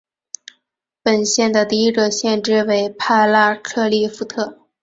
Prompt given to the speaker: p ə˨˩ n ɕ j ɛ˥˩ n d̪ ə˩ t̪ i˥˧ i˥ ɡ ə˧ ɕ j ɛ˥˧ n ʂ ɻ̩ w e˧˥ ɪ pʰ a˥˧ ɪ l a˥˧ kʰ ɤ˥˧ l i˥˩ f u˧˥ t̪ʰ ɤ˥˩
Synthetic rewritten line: p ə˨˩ n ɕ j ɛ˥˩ n d̪ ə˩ t̪ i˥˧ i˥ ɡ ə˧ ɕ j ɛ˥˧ n ʈ͡ʂ ɻ̩ w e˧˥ ɪ pʰ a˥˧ ɪ l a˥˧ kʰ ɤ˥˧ l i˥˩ f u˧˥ t̪ʰ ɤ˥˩